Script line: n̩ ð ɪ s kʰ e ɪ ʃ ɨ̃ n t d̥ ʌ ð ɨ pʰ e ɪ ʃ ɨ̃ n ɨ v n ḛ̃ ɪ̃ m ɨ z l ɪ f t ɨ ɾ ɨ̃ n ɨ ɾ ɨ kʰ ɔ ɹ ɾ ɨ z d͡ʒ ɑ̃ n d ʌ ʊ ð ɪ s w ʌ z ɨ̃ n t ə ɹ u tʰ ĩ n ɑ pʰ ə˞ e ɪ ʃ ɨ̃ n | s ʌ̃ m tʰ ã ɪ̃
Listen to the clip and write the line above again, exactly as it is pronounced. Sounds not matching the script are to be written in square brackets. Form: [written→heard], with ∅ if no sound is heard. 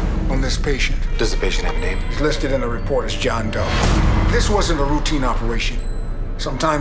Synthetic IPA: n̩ ð ɪ s [kʰ→pʰ] e ɪ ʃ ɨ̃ n t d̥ ʌ [ð→z] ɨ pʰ e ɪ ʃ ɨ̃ n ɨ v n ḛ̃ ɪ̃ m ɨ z l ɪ [f→s] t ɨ ɾ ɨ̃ n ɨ [ɾ→ɹ] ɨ [kʰ→pʰ] ɔ ɹ ɾ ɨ z d͡ʒ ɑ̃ n d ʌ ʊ ð ɪ s w ʌ z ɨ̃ n t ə ɹ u tʰ ĩ n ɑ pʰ ə˞ e ɪ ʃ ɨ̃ n | s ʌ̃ m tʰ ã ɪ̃